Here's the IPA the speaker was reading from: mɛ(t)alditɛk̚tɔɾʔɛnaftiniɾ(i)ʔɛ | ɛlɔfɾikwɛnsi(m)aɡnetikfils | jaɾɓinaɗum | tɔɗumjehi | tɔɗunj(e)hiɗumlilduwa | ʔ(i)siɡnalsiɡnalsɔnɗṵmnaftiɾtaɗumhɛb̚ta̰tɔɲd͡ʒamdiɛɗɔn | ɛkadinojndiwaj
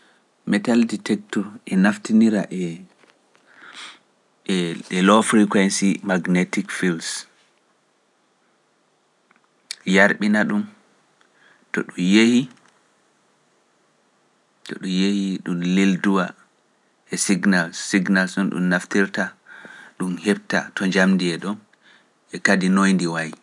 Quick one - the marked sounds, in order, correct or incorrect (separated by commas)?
correct, incorrect, correct, correct, incorrect